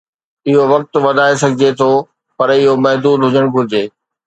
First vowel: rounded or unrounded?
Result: unrounded